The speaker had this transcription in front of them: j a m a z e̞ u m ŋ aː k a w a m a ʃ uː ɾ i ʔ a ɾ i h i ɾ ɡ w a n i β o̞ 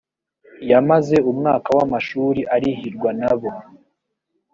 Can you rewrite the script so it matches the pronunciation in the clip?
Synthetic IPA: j a m a z e̞ u m ŋ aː k a w a m a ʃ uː ɾ i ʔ a ɾ i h i ɾ ɡ w a n a β o̞